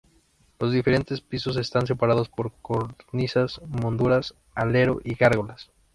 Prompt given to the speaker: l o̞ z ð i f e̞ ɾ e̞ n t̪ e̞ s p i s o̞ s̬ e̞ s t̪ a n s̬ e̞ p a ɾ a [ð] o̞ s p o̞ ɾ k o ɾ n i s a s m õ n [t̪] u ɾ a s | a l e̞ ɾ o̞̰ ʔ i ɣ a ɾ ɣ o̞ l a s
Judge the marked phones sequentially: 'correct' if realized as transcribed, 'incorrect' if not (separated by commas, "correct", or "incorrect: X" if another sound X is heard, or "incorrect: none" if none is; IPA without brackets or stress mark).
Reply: correct, incorrect: d̪